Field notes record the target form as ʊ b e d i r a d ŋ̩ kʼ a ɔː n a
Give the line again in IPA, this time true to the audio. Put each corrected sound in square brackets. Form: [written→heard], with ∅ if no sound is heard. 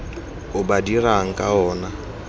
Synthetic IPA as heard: ʊ b [e→a] d i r a [d→∅] ŋ̩ kʼ a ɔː n a